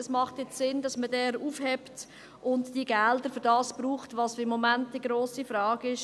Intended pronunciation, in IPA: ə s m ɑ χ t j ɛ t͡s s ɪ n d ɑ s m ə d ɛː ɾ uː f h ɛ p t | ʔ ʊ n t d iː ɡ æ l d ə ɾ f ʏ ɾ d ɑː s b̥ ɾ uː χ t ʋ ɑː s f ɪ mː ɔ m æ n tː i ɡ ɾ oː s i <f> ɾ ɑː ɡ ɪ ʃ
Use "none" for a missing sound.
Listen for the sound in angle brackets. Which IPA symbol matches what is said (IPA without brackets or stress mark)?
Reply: f